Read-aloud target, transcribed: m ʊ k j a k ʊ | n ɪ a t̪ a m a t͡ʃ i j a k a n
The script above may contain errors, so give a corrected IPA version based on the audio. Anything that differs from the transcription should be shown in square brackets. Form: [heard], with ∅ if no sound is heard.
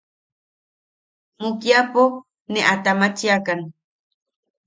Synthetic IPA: m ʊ k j a [p] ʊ | n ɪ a t̪ a m a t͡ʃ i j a k a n